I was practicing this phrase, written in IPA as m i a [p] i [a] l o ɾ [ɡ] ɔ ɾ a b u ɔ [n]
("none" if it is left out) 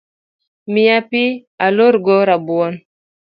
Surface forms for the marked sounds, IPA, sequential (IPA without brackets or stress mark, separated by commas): p, a, ɡ, n